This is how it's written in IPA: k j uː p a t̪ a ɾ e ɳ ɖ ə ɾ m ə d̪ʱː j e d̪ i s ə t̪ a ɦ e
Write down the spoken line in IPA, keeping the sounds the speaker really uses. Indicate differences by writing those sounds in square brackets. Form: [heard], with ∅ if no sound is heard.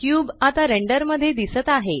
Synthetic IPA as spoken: k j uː [b] a t̪ a ɾ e ɳ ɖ ə ɾ m ə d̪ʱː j e d̪ i s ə t̪ a ɦ e